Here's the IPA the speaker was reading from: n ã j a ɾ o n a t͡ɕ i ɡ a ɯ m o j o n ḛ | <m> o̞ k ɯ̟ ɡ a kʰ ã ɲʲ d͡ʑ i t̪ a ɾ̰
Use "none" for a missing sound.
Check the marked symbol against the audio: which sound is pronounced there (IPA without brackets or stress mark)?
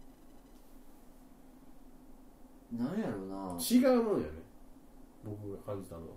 b